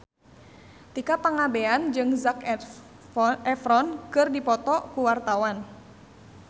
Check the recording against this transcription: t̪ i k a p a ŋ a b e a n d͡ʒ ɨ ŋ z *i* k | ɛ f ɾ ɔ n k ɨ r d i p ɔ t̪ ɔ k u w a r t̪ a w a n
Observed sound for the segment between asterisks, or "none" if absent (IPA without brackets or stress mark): a